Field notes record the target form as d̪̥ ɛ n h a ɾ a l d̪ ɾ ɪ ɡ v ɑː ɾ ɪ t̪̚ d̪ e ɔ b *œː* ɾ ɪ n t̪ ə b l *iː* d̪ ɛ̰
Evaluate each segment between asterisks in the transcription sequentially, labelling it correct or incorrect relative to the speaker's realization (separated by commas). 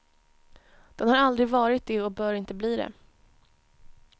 correct, correct